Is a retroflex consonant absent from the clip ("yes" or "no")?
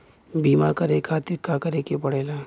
no